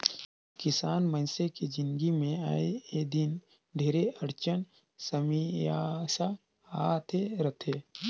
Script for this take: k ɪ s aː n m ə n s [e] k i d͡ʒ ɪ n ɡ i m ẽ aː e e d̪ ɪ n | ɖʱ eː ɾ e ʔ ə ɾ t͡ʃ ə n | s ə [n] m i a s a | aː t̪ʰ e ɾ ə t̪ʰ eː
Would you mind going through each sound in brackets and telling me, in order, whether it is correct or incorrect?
correct, incorrect: none

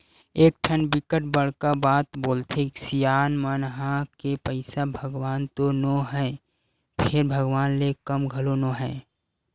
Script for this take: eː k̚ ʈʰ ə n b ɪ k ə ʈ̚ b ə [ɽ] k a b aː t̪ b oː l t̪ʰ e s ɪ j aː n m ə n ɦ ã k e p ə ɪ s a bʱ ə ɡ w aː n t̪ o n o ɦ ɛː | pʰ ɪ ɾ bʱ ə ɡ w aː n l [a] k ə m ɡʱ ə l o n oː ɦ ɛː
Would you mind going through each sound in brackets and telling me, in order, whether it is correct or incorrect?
correct, incorrect: e

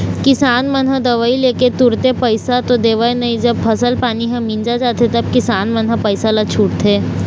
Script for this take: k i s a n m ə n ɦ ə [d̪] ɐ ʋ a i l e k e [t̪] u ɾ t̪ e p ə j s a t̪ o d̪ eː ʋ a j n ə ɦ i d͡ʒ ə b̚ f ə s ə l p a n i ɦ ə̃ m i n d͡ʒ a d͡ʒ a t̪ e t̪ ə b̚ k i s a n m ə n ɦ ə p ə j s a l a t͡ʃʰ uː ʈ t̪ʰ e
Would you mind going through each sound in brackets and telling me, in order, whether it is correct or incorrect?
correct, correct

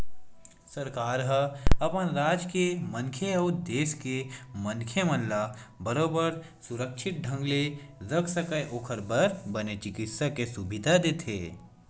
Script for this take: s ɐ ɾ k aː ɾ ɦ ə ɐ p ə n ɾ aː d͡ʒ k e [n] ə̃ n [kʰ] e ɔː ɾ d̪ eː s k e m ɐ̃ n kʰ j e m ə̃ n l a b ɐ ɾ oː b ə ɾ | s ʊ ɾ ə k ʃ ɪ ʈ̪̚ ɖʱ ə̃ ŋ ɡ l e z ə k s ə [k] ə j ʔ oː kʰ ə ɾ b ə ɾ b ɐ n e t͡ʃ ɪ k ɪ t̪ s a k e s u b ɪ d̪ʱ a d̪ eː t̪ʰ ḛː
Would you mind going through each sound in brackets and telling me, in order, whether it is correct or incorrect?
incorrect: m, correct, correct

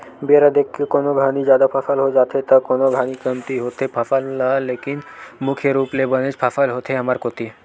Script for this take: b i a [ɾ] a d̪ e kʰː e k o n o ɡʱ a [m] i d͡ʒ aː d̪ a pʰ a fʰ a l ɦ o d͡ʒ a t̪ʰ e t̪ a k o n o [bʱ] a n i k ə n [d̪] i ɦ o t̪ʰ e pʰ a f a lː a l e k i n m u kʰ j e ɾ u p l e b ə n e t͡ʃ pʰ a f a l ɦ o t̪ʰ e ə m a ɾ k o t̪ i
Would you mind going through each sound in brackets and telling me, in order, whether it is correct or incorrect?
correct, incorrect: n, incorrect: ɡʱ, incorrect: t̪

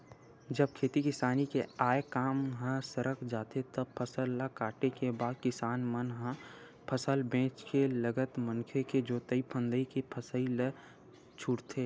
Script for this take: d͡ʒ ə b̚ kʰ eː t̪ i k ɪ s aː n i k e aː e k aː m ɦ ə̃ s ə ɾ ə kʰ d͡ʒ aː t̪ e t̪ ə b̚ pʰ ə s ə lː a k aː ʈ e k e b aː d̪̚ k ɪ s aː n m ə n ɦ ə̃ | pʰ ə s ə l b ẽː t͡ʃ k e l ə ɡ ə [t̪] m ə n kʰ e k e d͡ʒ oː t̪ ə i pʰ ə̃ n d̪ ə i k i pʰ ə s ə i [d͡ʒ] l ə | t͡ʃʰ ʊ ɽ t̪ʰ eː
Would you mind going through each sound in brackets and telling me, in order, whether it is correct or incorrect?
correct, incorrect: none

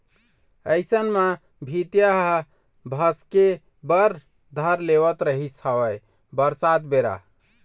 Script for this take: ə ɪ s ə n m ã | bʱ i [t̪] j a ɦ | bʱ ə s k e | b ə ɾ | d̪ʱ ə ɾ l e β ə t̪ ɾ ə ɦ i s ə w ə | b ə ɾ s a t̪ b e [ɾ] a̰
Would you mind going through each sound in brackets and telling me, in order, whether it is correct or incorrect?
correct, correct

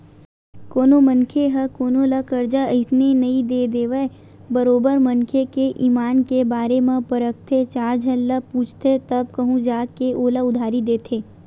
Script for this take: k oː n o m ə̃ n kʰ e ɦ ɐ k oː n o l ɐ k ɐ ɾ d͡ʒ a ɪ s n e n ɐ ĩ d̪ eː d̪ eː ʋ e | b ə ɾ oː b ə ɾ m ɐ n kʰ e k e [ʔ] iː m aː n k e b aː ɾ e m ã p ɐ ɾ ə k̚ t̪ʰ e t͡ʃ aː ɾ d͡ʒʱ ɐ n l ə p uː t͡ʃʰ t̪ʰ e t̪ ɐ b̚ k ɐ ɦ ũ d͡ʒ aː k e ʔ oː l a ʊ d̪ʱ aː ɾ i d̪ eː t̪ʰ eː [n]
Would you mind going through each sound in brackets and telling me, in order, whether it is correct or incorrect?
correct, incorrect: none

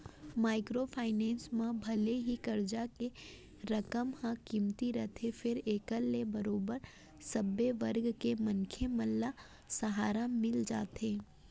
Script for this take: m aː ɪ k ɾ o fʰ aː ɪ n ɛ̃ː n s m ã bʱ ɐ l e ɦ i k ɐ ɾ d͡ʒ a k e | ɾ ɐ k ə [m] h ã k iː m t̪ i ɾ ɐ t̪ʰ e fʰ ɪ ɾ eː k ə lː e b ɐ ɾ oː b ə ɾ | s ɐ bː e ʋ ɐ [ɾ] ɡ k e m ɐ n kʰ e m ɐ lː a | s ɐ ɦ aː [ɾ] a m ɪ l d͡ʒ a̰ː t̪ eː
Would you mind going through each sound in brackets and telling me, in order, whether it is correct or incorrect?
correct, correct, correct

